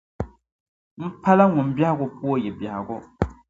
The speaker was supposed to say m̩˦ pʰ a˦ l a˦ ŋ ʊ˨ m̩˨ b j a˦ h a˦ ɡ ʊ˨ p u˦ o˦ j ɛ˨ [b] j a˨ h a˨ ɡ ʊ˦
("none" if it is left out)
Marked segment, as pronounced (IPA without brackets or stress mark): b